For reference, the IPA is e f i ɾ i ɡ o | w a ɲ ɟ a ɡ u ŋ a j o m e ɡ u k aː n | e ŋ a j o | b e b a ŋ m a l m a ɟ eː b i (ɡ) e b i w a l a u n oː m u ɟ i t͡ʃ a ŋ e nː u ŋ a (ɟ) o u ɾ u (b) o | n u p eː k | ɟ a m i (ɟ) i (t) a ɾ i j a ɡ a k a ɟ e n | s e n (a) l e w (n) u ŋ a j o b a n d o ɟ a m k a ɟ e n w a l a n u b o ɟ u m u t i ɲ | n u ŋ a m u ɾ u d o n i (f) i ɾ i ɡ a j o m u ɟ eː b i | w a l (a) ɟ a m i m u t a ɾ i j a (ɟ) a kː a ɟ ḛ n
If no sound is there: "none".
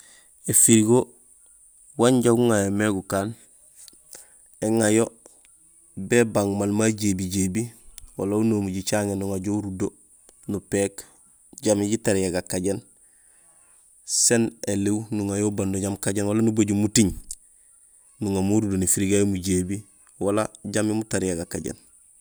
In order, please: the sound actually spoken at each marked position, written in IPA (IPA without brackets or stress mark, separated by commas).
ɟ, ɟ, d, ɟ, t, e, n, f, a, ɡ